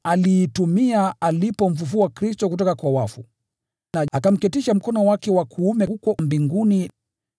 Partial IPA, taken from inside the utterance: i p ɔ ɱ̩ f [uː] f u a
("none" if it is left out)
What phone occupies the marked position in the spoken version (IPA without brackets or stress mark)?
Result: u